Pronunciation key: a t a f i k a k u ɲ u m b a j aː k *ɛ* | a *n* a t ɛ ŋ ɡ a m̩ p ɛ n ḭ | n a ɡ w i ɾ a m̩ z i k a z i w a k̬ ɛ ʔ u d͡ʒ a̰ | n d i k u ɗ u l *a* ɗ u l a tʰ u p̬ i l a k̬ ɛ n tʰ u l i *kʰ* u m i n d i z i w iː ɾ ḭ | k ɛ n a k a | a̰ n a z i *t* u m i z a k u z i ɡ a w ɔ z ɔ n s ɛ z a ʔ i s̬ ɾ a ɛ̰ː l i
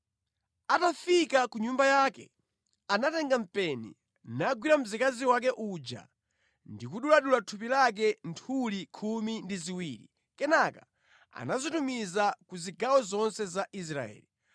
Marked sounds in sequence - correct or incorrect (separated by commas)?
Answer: correct, correct, correct, correct, correct